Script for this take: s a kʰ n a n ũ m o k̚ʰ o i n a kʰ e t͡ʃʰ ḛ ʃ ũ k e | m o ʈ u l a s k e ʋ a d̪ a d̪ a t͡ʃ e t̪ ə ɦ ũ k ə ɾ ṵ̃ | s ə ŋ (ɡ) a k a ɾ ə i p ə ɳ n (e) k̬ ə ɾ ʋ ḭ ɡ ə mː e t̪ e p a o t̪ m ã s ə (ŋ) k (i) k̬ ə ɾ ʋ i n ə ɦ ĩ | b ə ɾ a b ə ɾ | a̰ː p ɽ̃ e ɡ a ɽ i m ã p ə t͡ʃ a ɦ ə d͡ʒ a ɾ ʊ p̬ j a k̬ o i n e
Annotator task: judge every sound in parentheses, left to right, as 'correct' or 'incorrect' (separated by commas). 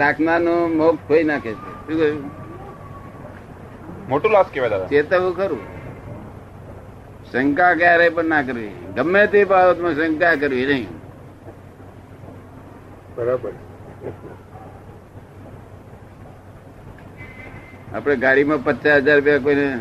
incorrect, incorrect, correct, incorrect